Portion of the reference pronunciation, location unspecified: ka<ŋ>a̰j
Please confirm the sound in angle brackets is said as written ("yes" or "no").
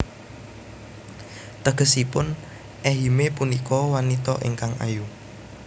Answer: yes